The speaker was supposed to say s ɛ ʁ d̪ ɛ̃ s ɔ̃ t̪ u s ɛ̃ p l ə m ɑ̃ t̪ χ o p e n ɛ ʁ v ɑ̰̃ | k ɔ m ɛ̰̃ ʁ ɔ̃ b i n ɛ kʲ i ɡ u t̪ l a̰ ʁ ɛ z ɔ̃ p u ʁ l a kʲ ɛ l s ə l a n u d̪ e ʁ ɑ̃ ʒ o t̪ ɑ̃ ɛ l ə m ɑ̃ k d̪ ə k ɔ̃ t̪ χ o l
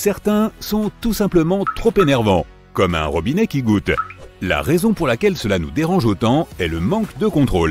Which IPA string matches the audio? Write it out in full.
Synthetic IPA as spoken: s ɛ ʁ t̪ ɛ̃ s ɔ̃ t̪ u s ɛ̃ p l ə m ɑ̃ t̪ χ o p e n ɛ ʁ v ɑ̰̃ | k ɔ m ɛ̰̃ ʁ ɔ b i n ɛ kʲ i ɡ u t̪ l a̰ ʁ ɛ z ɔ̃ p u ʁ l a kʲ ɛ l s ə l a n u d̪ e ʁ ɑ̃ ʒ o t̪ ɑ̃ ɛ l ə m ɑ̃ k d̪ ə k ɔ̃ t̪ χ o l